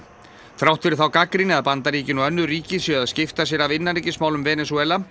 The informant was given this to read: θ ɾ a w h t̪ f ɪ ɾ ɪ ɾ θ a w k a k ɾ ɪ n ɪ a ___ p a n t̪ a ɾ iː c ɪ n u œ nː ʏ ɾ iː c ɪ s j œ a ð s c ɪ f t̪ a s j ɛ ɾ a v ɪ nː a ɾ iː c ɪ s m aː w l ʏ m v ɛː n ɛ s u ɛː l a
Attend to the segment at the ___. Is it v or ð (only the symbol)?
ð